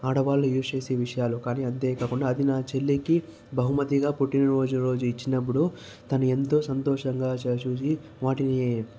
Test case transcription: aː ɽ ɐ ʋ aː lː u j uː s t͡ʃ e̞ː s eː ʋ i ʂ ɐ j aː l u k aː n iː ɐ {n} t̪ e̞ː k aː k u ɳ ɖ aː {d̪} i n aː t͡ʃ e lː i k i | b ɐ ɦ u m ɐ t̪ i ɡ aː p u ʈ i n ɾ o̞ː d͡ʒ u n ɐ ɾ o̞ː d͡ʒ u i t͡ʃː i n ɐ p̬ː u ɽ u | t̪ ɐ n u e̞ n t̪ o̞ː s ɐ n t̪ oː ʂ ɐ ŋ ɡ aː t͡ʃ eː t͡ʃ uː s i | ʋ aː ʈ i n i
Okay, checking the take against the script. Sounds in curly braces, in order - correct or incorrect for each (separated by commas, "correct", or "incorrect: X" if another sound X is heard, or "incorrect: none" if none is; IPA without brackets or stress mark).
correct, correct